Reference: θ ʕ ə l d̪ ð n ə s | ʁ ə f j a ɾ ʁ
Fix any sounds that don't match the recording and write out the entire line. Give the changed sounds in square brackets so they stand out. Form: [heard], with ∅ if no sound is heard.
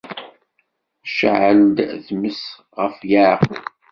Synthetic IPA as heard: [ʃ] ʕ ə l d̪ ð [m] ə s | ʁ ə f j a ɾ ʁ